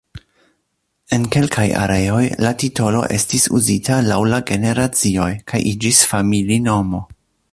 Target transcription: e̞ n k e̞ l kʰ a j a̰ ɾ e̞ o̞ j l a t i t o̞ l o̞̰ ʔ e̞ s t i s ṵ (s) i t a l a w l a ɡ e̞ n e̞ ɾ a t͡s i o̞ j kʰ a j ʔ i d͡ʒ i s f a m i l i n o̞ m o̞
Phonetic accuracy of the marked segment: incorrect: z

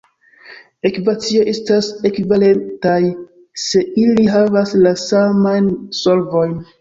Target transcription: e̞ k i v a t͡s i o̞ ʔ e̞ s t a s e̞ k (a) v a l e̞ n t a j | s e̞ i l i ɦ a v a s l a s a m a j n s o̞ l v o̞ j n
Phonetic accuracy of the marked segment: incorrect: i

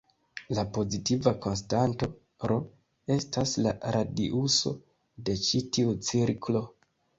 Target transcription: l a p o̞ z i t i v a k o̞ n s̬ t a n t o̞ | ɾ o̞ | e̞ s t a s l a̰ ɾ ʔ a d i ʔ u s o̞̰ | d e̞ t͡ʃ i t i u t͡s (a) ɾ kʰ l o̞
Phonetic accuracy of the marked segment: incorrect: i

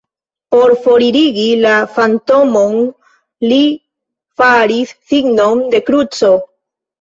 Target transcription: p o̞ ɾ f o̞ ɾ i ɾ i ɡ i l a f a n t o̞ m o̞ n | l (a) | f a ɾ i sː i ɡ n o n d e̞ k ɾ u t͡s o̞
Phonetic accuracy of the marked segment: incorrect: i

